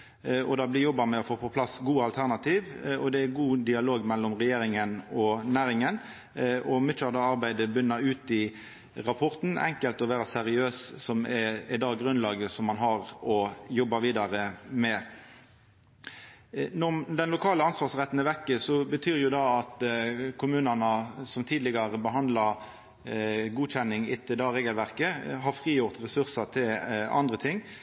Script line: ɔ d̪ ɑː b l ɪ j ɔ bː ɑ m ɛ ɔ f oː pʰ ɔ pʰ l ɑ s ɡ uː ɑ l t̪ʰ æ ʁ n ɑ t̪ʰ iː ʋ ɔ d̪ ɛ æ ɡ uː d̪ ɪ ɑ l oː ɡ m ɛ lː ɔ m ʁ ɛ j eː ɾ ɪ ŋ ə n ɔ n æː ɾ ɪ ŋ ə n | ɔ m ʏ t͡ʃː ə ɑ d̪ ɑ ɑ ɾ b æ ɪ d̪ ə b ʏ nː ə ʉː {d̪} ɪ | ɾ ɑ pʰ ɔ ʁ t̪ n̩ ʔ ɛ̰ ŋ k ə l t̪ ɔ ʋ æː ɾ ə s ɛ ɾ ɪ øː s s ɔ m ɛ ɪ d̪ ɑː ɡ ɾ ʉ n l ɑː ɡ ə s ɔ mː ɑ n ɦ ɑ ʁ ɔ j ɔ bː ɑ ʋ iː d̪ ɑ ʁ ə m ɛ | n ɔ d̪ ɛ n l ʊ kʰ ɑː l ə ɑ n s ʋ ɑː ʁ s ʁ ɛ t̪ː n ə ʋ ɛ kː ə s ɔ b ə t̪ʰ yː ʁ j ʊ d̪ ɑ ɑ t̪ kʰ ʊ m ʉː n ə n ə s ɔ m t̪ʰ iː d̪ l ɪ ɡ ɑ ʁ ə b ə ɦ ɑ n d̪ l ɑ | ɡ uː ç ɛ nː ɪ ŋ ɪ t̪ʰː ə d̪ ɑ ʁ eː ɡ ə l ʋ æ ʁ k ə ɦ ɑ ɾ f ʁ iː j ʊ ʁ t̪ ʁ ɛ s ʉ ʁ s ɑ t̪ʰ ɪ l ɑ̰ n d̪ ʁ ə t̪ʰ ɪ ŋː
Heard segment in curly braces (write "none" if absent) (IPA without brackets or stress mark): t̪